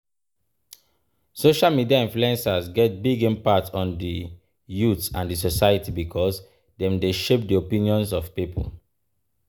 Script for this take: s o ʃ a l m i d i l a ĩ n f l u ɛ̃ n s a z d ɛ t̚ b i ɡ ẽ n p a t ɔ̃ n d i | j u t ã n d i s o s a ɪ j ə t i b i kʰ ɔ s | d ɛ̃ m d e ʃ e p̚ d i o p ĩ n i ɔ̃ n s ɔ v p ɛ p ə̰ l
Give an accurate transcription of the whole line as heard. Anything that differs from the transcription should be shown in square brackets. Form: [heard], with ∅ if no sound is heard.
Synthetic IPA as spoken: s o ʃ a l m i d i [∅] a ĩ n f l u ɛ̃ n s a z [ɡ] ɛ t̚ b i ɡ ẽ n p a t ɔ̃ n d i | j u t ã n d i s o s a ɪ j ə t i b i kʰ ɔ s | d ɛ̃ m d e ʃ e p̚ d i o p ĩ n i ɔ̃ n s ɔ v p [i] p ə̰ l